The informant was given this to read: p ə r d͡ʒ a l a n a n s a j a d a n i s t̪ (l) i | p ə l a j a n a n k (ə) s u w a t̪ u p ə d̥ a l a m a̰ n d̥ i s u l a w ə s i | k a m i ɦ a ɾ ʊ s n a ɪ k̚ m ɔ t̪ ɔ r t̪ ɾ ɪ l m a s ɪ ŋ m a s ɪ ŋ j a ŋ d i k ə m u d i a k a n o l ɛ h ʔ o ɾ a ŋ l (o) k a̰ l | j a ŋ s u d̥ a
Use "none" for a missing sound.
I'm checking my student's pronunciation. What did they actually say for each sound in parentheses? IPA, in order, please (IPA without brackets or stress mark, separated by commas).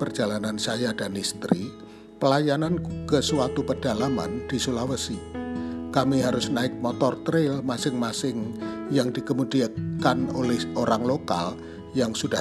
ɾ, ə, o